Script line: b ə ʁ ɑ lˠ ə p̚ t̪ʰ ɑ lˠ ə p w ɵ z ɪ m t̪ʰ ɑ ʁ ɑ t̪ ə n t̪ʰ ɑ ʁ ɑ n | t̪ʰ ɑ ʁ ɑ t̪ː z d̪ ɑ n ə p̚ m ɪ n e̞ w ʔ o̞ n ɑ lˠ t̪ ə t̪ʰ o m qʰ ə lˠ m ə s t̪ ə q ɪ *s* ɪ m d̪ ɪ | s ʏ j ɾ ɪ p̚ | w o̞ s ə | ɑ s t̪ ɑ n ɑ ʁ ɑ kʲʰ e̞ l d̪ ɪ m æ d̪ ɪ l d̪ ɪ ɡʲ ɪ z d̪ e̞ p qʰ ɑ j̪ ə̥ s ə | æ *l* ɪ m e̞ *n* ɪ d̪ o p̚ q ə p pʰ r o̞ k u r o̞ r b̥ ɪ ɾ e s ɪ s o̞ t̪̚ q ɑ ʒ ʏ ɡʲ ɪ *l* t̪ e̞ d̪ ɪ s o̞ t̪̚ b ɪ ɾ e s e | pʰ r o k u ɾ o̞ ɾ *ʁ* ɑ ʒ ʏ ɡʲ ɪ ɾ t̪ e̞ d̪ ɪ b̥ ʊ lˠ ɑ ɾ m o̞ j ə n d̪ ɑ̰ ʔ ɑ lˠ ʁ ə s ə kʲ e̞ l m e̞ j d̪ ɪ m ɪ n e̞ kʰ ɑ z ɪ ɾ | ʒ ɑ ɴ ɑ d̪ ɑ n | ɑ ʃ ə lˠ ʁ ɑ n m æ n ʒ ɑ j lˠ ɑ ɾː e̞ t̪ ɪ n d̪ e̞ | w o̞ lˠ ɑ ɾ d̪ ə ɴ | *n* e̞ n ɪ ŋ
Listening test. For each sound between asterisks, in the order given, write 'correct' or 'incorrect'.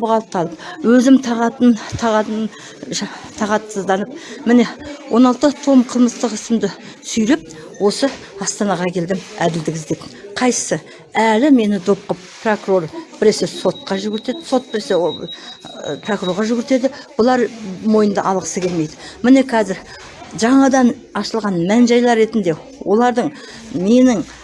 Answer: correct, correct, correct, incorrect, correct, incorrect

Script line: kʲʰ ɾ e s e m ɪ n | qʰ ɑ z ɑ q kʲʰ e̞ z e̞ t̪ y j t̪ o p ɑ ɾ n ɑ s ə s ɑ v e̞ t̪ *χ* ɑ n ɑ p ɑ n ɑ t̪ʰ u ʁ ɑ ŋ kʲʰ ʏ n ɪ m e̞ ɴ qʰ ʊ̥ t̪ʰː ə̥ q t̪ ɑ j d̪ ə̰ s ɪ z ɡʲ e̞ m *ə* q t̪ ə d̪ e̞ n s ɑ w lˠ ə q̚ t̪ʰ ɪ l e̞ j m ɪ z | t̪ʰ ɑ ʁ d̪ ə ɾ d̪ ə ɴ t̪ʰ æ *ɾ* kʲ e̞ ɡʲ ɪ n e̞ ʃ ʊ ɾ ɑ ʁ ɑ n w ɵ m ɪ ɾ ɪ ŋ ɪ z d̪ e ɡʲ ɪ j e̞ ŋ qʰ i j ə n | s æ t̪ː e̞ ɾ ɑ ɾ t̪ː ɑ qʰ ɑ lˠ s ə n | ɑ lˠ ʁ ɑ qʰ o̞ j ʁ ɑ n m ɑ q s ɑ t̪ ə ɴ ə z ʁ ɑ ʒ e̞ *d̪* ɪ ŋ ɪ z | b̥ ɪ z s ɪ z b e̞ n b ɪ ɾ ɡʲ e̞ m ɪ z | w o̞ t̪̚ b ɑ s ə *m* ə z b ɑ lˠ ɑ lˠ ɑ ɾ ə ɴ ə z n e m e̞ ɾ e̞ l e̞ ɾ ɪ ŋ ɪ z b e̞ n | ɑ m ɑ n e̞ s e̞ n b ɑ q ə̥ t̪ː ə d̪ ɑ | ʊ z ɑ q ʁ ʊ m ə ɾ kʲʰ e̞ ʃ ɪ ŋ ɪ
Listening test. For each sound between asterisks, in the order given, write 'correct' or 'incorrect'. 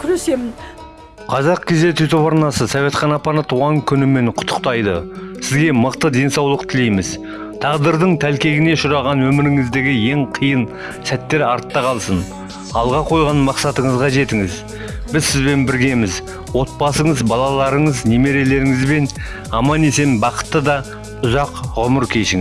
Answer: correct, correct, incorrect, incorrect, incorrect

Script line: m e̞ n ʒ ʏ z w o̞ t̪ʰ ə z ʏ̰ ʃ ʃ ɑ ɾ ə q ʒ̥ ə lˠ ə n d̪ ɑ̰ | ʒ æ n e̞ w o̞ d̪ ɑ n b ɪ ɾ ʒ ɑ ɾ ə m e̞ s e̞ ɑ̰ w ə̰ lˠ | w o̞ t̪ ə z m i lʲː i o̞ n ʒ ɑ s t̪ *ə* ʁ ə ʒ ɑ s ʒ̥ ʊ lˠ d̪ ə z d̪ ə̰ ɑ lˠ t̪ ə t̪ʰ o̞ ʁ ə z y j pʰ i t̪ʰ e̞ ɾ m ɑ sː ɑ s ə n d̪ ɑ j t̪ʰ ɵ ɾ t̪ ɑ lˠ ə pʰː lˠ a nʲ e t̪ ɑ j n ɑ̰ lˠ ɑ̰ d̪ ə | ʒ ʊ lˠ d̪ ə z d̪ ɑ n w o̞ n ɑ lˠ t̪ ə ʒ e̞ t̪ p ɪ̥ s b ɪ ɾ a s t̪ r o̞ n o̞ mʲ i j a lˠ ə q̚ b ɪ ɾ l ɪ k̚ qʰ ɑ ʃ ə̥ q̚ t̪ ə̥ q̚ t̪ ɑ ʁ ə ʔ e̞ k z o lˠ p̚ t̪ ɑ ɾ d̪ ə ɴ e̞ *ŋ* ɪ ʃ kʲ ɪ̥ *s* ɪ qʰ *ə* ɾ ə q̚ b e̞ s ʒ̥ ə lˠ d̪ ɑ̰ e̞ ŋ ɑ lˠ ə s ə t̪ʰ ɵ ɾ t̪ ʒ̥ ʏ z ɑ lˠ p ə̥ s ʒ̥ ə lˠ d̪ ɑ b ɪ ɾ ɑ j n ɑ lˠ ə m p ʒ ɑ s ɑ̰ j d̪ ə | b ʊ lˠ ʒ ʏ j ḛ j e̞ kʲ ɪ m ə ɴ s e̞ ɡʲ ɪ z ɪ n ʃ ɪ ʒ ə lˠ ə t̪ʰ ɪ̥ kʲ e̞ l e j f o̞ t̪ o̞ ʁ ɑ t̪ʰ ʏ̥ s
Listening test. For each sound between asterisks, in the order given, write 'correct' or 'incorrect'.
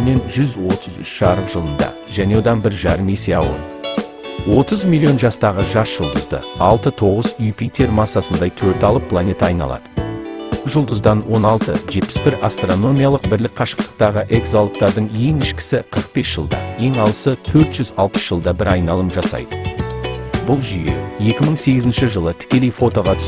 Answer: incorrect, correct, correct, correct

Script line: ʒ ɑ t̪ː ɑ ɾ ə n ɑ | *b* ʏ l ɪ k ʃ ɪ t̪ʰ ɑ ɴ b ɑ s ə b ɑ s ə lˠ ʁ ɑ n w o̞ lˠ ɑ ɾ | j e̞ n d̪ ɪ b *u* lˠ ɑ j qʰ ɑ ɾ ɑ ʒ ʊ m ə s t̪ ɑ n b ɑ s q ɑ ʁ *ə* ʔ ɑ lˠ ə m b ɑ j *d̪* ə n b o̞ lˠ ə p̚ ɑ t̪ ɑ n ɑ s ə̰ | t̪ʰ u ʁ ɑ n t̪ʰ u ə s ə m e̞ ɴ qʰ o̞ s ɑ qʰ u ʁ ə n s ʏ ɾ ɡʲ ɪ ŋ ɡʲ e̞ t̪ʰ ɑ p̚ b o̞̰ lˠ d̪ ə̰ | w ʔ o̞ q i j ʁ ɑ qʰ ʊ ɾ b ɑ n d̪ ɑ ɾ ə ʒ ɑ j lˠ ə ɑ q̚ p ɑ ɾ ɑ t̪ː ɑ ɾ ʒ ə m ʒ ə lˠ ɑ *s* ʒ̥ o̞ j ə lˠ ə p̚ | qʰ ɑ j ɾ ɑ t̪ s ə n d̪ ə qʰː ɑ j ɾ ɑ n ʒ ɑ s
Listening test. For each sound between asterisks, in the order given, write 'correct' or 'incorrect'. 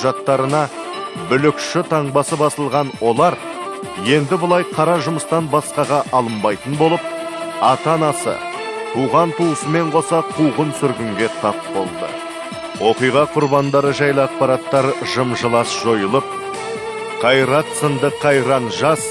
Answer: correct, incorrect, incorrect, incorrect, correct

